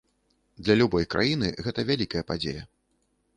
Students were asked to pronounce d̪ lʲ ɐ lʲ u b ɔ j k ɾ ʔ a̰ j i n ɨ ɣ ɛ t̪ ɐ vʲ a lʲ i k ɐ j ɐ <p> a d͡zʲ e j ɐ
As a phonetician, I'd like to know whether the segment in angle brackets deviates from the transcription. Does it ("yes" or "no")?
no